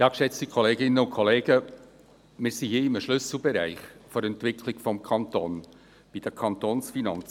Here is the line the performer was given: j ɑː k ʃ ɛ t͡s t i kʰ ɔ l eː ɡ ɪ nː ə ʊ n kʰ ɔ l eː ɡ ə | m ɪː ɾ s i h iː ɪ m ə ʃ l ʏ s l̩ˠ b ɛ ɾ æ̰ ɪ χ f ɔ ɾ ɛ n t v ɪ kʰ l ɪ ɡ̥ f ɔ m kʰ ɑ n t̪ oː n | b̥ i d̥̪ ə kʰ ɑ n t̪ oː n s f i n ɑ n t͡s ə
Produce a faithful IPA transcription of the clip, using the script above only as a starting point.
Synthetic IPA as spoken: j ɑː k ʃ ɛ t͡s t i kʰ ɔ l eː ɡ ɪ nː ə ʊ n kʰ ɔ l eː ɡ ə | m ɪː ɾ s i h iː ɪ m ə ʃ l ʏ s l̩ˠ b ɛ ɾ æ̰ ɪ χ f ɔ ɾ ɛ n t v ɪ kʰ l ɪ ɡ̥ f ɔ m kʰ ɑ n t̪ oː n | b̥ i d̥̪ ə kʰ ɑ n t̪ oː n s f i n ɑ n t͡s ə